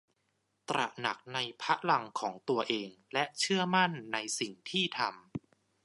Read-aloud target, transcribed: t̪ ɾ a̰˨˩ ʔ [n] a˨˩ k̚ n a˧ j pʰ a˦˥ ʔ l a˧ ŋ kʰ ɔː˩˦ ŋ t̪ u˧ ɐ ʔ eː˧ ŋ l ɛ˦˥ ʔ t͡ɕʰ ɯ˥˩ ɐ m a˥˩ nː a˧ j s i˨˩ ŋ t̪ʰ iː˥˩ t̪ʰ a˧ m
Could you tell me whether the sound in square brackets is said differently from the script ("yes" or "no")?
no